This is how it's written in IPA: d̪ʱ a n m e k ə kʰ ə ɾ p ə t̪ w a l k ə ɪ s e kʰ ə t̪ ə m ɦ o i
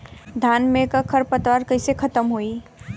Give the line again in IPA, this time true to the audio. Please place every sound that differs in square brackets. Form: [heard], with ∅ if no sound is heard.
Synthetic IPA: d̪ʱ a n m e k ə kʰ ə ɾ p ə t̪ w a [ɾ] k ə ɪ s e kʰ ə t̪ ə m ɦ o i

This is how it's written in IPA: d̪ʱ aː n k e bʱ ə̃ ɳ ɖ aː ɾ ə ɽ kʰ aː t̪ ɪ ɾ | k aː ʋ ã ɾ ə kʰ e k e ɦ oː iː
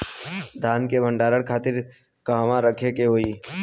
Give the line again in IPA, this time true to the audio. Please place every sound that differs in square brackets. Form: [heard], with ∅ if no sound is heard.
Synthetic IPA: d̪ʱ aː n k e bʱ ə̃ ɳ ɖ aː ɾ ə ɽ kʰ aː t̪ ɪ ɾ | k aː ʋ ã ɾ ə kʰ e k e ɦ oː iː

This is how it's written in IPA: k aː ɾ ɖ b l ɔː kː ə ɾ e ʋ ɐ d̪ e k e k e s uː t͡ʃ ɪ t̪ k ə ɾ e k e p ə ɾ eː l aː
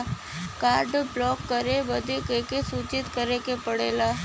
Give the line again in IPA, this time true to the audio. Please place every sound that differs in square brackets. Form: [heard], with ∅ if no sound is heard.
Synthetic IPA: k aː ɾ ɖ b l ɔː kː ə ɾ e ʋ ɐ d̪ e k e k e s uː t͡ʃ ɪ t̪ k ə ɾ e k e p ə [ɽ] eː l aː

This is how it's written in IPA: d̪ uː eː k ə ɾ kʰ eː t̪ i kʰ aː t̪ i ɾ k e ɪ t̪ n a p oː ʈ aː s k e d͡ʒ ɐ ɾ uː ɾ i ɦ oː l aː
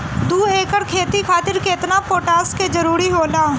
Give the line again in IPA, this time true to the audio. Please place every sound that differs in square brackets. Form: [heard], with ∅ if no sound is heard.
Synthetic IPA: d̪ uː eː k ə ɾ kʰ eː t̪ i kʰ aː t̪ [ɪ] ɾ k e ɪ t̪ n a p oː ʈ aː s k e d͡ʒ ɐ ɾ uː ɾ i ɦ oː l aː

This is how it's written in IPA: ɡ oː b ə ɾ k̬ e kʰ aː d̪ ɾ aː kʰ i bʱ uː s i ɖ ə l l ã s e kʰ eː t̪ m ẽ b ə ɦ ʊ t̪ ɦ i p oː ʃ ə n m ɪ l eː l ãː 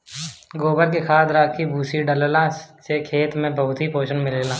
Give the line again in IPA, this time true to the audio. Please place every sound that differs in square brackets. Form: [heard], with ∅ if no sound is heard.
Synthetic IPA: ɡ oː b ə ɾ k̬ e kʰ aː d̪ ɾ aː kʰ i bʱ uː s i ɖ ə l l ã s e kʰ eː t̪ m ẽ b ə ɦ ʊ t̪ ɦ i p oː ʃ ə n m ɪ l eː l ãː

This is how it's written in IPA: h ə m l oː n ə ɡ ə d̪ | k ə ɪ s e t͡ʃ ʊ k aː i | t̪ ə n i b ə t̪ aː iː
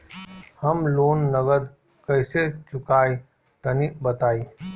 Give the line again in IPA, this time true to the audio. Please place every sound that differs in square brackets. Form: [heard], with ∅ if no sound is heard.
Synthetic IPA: h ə m l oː [nː] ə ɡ ə d̪ | k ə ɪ s e t͡ʃ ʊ k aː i | t̪ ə n i b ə t̪ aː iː

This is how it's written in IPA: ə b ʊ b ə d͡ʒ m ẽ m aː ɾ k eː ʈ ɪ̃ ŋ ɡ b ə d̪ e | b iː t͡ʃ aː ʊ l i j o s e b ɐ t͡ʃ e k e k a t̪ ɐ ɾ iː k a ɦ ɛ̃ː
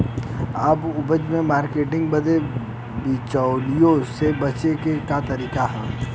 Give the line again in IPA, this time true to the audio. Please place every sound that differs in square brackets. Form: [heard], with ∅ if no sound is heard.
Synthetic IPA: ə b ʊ b ə d͡ʒ m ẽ m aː ɾ k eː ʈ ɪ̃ ŋ ɡ b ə d̪ e | b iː t͡ʃ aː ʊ l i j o s e b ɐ t͡ʃ e k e k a t̪ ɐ ɾ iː k a ɦ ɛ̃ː

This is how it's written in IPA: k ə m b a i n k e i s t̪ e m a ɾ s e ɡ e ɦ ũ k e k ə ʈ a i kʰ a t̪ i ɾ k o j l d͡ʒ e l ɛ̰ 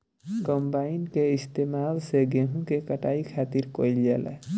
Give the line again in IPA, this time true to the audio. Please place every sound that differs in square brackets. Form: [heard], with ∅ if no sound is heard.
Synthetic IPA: k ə m b a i n k e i s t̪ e m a [l] s e ɡ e ɦ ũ k e k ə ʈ a i kʰ a t̪ i ɾ k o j l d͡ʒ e l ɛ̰

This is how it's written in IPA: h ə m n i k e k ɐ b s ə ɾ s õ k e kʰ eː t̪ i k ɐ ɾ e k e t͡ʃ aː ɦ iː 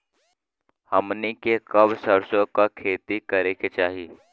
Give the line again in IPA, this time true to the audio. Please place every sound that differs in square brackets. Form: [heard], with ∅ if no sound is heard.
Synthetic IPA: h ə m n i k e k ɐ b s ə ɾ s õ k [a] kʰ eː t̪ i k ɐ ɾ e k e t͡ʃ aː ɦ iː

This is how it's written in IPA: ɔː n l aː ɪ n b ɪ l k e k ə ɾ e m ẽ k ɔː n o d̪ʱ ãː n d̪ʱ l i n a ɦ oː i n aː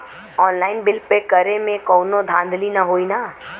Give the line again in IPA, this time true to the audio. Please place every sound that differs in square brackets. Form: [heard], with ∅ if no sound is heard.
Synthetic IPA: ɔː n l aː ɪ n b ɪ l [p] e k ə ɾ e m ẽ k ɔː n o d̪ʱ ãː n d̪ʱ l i n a ɦ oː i n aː

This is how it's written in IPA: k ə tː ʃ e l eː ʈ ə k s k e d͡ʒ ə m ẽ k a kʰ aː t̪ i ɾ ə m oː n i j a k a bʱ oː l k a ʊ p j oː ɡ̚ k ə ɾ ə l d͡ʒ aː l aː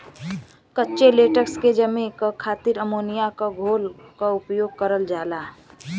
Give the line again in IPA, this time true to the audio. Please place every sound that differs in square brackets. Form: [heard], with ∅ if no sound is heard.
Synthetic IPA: k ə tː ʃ e l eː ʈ ə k s k e d͡ʒ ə m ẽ k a kʰ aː t̪ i ɾ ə m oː n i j a k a [ɡʱ] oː l k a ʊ p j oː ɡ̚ k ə ɾ ə l d͡ʒ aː l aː

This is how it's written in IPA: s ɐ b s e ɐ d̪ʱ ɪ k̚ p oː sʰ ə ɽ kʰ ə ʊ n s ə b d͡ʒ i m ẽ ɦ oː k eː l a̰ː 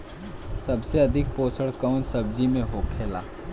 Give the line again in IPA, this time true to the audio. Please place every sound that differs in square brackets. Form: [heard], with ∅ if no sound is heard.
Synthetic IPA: s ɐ b s e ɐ d̪ʱ ɪ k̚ p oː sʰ ə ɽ [k] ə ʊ n s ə b d͡ʒ i m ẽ ɦ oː [kʰ] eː l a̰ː

